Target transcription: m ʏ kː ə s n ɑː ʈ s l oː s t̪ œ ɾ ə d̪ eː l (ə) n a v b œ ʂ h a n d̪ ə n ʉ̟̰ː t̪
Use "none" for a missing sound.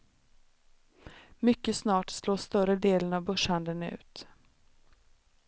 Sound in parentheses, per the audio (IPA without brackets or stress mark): ə